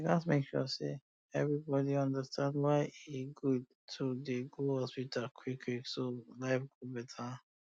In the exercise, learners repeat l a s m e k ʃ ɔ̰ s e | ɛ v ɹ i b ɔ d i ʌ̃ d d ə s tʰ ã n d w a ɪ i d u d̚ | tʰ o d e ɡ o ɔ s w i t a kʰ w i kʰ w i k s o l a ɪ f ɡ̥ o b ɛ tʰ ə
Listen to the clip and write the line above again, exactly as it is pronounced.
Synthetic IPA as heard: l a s m e k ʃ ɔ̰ s e | ɛ v ɹ i b ɔ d i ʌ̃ n d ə s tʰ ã n d w a ɪ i ɡ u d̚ | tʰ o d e ɡ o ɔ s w i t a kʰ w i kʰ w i k s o l a ɪ f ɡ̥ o b ɛ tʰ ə